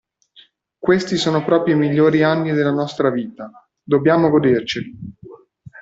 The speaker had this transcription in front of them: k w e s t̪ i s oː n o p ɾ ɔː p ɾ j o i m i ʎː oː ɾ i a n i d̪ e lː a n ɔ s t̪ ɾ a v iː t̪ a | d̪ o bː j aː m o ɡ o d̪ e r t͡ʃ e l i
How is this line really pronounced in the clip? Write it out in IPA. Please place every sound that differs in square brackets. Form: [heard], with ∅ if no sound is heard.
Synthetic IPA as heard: k w e s t̪ i s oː n o p ɾ ɔː p ɾ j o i m i ʎː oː ɾ i a [nː] i d̪ e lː a n ɔ s t̪ ɾ a v iː t̪ a | d̪ o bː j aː m o ɡ o d̪ e r t͡ʃ e l i